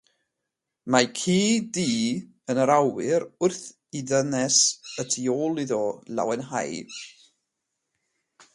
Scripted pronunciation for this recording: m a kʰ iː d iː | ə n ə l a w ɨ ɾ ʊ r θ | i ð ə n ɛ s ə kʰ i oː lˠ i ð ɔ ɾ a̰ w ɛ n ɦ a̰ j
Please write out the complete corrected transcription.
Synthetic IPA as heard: m a kʰ iː d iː | ə n ə ɾ a w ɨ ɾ ʊ r θ | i ð ə n ɛ s ə tʰ i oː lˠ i ð ɔ l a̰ w ɛ n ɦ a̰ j

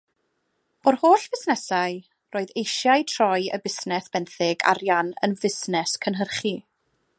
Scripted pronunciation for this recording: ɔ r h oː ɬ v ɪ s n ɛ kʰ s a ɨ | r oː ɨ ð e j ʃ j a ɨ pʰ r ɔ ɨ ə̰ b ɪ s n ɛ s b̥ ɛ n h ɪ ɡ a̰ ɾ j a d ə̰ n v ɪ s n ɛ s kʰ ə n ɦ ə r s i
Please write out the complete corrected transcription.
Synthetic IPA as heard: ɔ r h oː ɬ v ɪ s n ɛ s a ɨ | r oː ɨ ð e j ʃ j a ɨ tʰ r ɔ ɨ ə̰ b ɪ s n ɛ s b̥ ɛ n θ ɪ ɡ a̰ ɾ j a n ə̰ n v ɪ s n ɛ s kʰ ə n ɦ ə r χ i

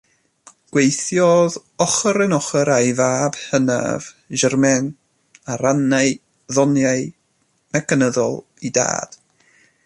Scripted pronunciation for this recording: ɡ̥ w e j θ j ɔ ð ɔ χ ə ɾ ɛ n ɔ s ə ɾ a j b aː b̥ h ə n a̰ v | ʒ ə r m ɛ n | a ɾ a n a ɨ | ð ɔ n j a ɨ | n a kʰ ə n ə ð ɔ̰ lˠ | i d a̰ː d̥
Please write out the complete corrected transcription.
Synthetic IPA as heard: ɡ̥ w e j θ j ɔ ð ɔ χ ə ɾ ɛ n ɔ χ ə ɾ a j v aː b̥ h ə n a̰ v | ʒ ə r m ɛ n | a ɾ a n a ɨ | ð ɔ n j a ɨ | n a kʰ ə n ə ð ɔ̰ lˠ | i d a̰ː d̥

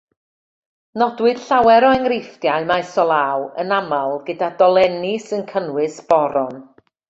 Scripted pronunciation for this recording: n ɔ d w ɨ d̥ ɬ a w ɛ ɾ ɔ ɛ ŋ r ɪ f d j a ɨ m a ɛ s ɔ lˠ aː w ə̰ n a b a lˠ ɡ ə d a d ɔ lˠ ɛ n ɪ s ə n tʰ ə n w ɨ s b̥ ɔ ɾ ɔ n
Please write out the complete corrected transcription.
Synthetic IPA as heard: n ɔ d w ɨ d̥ ɬ a w ɛ ɾ ɔ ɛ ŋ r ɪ f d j a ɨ m a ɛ s ɔ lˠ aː w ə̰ n a m a lˠ ɡ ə d a d ɔ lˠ ɛ n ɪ s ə n kʰ ə n w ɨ s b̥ ɔ ɾ ɔ n

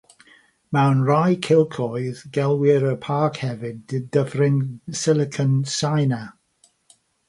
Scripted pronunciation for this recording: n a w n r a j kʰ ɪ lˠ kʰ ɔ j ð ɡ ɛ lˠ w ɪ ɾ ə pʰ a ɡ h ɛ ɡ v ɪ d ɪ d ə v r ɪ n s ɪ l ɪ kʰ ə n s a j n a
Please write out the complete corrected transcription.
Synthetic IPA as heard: m a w n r a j kʰ ɪ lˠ kʰ ɔ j ð ɡ ɛ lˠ w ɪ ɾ ə pʰ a k h ɛ v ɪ d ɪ d ə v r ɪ n s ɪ l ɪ kʰ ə n s a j n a

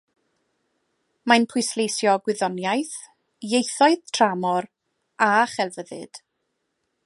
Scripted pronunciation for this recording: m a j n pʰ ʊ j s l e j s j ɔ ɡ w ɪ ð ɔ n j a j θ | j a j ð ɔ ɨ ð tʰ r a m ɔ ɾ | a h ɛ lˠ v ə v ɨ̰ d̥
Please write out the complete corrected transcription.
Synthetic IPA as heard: m a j n pʰ ʊ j s l e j s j ɔ ɡ w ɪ ð ɔ n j a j θ | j e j θ ɔ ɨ ð tʰ r a m ɔ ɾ | a χ ɛ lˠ v ə ð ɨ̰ d̥

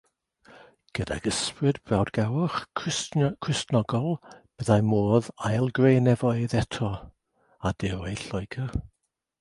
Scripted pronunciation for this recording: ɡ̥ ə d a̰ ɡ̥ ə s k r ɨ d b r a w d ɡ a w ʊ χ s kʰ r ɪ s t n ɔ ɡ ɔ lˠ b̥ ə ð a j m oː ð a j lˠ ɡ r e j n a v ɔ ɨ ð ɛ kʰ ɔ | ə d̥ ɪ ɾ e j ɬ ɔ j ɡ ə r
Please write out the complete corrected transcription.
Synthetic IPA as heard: ɡ̥ ə d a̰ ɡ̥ ə s p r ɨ d b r a w d ɡ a w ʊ χ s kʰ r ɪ s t n ɔ ɡ ɔ lˠ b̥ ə ð a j m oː ð a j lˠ ɡ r e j n ɛ v ɔ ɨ ð ɛ tʰ ɔ | a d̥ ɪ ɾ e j ɬ ɔ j ɡ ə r

